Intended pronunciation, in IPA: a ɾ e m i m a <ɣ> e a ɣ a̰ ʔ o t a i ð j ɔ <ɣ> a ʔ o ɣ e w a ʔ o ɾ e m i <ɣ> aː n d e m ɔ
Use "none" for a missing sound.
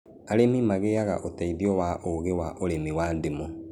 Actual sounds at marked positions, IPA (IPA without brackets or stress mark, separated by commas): ɣ, w, w